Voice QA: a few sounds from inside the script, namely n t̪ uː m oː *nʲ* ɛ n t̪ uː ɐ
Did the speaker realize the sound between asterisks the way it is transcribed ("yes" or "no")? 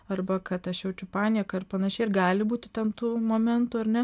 no